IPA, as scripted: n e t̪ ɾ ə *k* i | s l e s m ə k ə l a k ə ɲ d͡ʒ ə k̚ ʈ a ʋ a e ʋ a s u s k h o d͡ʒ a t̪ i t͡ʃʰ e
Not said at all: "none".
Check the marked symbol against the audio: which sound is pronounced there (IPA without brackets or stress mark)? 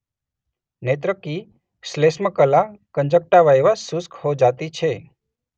k